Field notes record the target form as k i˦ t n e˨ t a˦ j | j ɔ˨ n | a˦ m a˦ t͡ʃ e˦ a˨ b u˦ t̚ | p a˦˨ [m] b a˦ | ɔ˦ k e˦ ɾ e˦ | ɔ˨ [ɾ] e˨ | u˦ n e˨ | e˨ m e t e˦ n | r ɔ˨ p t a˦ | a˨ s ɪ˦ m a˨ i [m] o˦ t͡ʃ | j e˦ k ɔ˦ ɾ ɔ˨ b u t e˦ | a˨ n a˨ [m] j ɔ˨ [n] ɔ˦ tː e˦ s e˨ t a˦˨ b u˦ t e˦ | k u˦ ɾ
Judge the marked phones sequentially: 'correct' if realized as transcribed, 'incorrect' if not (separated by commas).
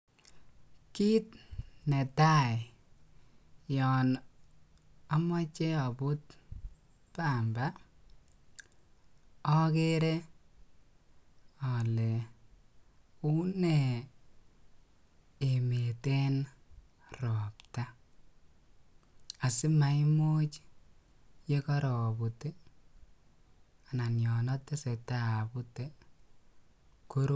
correct, incorrect, correct, incorrect, correct